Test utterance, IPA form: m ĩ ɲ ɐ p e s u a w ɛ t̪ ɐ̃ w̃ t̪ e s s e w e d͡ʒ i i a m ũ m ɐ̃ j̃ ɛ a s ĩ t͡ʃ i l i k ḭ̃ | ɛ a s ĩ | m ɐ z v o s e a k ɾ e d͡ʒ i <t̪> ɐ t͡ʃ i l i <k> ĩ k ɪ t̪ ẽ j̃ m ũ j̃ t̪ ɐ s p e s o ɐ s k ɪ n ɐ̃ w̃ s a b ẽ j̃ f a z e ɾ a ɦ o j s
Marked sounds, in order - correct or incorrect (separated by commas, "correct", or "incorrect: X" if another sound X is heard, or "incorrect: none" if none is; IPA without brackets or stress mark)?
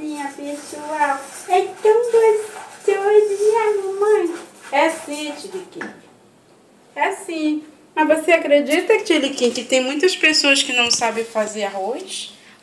correct, correct